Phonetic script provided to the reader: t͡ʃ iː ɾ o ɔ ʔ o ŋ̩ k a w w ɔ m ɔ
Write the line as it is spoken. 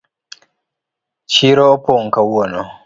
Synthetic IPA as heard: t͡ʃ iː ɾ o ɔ p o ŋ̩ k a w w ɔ n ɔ